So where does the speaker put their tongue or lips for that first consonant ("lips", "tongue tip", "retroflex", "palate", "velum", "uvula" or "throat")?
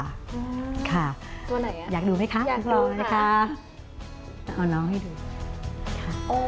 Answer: velum